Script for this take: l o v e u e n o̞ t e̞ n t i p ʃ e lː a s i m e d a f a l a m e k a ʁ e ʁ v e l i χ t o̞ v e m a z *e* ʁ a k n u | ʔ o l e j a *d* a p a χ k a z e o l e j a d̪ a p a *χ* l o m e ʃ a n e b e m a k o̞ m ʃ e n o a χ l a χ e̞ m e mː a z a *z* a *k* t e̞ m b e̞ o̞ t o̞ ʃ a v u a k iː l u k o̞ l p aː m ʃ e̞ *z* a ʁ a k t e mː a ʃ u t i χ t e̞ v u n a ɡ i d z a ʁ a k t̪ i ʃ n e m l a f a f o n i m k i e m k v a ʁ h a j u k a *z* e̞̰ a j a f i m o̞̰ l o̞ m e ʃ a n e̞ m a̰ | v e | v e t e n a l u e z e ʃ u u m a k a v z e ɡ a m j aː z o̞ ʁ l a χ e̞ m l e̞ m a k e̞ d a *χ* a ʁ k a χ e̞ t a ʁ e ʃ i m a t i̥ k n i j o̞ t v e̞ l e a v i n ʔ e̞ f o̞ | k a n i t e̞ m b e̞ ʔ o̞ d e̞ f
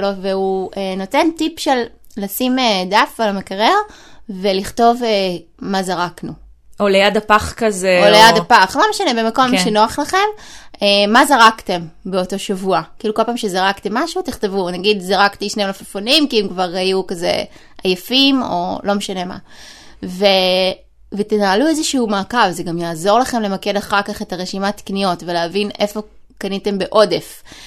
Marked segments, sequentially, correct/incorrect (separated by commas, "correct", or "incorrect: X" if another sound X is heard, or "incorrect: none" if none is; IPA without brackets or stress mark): incorrect: a, correct, correct, incorrect: ʁ, correct, correct, correct, correct